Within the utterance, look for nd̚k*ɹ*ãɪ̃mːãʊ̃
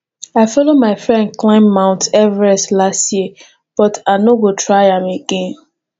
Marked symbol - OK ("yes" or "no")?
no